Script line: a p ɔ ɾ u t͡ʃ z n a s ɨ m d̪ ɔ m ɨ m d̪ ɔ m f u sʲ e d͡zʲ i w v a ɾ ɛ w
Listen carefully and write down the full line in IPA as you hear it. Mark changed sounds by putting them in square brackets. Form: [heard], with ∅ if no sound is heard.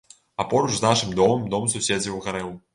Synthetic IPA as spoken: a p ɔ ɾ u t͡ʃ z n a [ʂ] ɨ m d̪ ɔ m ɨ m d̪ ɔ m [s] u sʲ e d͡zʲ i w [ɣ] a ɾ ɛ w